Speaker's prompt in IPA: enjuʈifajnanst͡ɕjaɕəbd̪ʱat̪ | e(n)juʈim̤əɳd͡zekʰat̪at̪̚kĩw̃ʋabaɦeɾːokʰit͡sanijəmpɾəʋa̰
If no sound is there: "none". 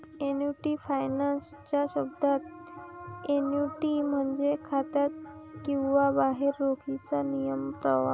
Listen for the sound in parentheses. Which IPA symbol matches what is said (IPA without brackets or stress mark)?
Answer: n